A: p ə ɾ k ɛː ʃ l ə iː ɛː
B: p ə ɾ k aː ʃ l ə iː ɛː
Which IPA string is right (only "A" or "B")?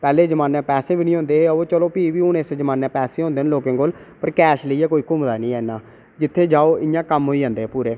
A